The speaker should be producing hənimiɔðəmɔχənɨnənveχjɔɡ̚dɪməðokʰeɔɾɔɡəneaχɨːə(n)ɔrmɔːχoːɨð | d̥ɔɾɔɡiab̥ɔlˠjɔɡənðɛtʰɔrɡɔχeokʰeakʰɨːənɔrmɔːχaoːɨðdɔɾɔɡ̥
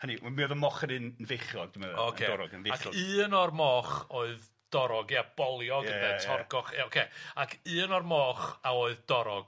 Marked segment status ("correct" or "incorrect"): correct